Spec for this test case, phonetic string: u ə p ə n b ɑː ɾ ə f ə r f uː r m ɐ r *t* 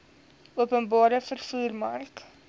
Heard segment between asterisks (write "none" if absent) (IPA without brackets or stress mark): k